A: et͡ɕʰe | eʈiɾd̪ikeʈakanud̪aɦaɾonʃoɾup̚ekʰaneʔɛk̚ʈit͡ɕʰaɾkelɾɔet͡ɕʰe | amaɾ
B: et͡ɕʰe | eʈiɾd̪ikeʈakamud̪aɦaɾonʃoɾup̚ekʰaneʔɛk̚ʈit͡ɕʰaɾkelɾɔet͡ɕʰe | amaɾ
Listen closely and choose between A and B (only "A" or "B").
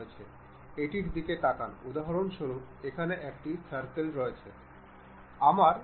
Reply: A